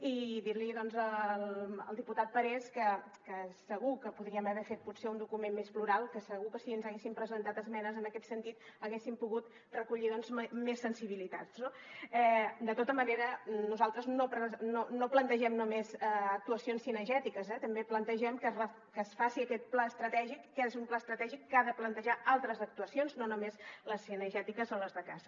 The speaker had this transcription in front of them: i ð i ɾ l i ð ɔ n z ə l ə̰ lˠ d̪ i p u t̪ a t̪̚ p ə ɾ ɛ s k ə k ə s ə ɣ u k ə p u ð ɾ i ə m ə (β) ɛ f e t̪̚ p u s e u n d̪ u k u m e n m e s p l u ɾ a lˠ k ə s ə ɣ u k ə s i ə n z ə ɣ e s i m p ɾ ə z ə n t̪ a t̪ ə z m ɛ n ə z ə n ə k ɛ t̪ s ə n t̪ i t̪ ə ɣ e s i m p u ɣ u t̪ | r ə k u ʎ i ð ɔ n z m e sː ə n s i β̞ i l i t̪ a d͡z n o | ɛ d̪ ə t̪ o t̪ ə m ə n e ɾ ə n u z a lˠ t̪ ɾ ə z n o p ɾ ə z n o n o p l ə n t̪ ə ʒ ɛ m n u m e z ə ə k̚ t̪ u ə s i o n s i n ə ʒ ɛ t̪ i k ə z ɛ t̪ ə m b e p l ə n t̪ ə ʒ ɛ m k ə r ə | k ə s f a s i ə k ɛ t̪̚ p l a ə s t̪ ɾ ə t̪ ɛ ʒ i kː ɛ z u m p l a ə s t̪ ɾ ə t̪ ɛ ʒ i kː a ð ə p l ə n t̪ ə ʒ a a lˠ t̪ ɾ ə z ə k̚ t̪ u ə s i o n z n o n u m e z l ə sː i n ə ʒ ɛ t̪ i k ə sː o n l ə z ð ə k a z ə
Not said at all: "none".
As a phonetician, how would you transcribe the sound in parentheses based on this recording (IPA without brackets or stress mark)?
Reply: β